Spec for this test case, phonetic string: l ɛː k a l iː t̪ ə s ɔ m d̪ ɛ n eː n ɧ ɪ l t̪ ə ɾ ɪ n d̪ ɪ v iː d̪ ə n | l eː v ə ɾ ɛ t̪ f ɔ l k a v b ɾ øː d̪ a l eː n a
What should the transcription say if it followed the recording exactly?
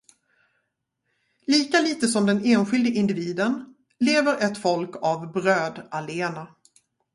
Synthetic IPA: l iː k a l iː t̪ ə s ɔ m d̪ ɛ n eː n ɧ ɪ l d̪ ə ɪ n d̪ ɪ v iː d̪ ə n | l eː v ə ɾ ɛ t̪ f ɔ l k a v b ɾ øː d̪ a l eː n a